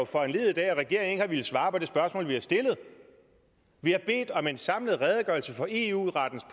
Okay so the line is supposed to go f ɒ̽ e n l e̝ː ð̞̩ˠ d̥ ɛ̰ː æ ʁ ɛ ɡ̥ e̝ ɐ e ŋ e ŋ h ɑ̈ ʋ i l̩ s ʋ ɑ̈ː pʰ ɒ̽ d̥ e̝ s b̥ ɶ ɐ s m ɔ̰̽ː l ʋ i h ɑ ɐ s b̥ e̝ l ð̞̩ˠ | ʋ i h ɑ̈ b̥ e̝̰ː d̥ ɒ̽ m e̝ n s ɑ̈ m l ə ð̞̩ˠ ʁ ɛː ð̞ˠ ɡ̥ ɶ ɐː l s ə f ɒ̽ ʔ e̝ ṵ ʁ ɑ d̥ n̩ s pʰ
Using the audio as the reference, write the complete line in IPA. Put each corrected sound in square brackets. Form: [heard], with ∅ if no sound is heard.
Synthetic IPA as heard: f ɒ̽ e n l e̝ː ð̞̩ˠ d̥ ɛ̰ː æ ʁ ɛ ɡ̥ e̝ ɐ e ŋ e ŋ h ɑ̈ ʋ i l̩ s ʋ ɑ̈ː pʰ ɒ̽ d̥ e̝ s b̥ ɶ ɐ s m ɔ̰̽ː l ʋ i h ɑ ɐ s [d̥] e̝ l ð̞̩ˠ | ʋ i h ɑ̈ b̥ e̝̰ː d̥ ɒ̽ m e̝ n s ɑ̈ m l ə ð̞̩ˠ ʁ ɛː ð̞ˠ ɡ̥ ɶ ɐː l s ə f ɒ̽ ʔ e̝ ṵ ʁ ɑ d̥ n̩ s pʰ